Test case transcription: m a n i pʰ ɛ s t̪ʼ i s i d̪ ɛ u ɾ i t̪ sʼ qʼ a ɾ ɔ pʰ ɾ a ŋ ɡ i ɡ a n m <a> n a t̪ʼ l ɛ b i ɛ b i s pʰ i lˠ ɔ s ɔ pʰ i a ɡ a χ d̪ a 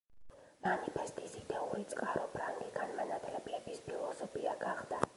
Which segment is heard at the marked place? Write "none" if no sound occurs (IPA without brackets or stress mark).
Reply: a